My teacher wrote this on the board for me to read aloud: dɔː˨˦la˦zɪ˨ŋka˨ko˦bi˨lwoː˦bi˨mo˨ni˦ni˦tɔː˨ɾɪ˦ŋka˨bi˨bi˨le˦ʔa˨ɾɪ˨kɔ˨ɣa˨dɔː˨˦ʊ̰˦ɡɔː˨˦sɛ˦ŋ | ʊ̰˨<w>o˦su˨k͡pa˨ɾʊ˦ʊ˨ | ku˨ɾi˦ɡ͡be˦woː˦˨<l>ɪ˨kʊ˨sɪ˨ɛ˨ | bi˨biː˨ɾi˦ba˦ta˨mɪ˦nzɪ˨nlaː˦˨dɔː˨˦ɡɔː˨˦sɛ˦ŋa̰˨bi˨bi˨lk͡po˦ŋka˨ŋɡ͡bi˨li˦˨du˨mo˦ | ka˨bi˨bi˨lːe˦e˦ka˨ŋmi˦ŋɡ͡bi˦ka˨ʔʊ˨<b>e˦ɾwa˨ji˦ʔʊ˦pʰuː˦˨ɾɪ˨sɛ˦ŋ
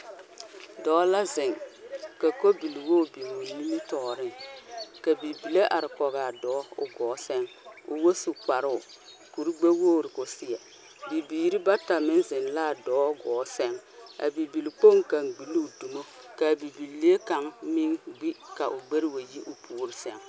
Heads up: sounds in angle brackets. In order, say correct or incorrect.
correct, incorrect: ɾ, incorrect: ɡ͡b

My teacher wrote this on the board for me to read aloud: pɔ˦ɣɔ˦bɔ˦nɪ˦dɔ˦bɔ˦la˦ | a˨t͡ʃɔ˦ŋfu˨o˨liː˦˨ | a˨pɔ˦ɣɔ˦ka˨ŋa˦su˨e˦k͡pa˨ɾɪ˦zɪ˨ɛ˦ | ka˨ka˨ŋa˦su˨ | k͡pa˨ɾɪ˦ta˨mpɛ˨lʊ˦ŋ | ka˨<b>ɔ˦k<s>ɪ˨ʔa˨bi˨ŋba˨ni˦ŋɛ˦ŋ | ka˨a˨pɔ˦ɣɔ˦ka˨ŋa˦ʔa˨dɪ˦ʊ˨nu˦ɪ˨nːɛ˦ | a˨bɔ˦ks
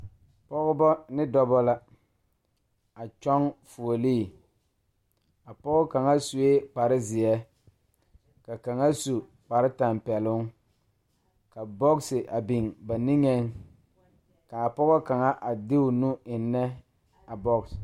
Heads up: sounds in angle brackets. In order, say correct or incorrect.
correct, correct

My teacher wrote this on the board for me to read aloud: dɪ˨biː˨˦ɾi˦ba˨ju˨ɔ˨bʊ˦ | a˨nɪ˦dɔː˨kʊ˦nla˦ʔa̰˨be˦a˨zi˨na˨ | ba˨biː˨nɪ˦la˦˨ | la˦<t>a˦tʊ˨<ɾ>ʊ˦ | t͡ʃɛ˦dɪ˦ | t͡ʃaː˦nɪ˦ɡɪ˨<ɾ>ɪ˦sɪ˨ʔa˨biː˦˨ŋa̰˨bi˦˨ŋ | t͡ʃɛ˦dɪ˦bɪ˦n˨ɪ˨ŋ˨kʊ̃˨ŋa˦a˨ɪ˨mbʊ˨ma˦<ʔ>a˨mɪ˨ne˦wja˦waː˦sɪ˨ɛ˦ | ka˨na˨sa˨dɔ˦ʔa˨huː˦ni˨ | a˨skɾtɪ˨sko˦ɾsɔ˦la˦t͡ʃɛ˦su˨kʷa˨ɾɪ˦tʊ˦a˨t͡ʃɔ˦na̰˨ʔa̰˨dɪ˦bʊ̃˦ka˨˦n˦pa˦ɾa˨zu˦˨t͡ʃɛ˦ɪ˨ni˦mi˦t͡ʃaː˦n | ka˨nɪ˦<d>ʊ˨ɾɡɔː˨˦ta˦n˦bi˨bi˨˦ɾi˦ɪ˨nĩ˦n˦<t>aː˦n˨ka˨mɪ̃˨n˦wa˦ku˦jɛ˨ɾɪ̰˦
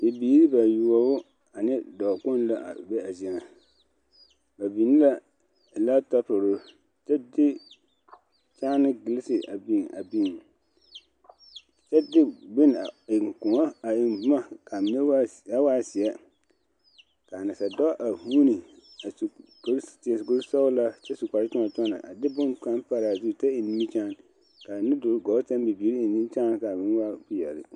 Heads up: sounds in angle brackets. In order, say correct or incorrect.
correct, correct, incorrect: l, incorrect: k, correct, incorrect: t͡ʃ

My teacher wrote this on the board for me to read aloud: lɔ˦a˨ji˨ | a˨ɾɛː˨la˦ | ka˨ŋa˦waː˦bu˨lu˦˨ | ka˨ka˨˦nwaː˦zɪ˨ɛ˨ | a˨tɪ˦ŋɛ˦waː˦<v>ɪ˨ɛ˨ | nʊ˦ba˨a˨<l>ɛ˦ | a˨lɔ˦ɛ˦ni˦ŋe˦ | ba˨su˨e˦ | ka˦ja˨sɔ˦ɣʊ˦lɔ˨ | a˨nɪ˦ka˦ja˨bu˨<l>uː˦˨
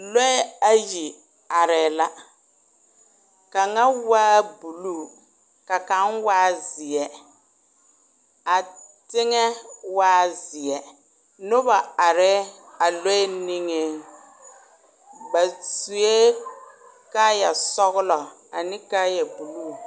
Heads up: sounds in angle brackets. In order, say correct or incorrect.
incorrect: z, incorrect: ɾ, correct

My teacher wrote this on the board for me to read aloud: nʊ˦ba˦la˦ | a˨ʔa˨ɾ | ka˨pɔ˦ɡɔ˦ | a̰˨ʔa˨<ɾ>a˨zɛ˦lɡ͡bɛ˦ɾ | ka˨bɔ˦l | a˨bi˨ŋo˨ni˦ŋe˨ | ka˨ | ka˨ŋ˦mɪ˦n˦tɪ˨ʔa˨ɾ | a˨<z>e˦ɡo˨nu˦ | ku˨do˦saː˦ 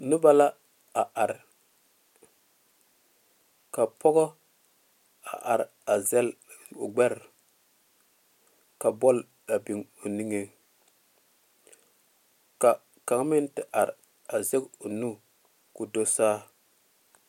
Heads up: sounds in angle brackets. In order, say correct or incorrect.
correct, correct

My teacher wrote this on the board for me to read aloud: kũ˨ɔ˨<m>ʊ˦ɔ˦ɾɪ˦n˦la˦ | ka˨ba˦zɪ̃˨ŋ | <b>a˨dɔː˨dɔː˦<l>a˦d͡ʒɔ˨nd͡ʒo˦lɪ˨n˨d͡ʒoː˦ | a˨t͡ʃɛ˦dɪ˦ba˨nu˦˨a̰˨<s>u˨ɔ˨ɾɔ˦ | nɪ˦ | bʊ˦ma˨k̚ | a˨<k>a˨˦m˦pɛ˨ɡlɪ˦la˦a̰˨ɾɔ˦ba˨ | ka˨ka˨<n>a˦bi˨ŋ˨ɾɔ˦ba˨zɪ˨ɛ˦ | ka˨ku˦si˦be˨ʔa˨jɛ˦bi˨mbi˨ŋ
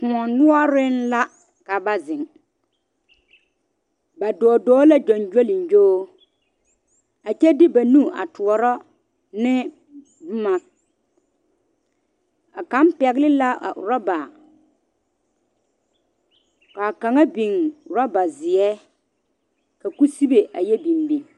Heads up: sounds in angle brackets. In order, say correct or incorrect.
incorrect: n, correct, correct, incorrect: t, correct, incorrect: ŋ

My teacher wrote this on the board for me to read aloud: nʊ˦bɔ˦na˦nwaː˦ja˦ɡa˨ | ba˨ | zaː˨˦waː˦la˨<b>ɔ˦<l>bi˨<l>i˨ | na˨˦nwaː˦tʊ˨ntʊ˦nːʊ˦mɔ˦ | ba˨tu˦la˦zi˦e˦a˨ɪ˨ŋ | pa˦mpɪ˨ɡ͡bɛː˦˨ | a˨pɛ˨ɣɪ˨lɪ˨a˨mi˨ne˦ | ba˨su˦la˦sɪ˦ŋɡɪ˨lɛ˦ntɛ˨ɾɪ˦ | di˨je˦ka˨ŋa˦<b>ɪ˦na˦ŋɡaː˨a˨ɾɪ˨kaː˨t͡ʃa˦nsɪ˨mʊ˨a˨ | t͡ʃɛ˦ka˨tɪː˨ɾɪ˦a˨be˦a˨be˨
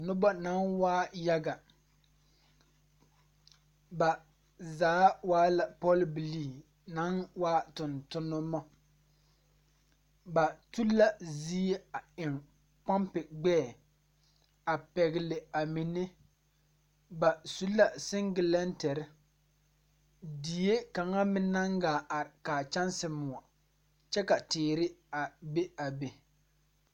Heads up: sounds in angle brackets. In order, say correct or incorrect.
incorrect: p, correct, correct, incorrect: m

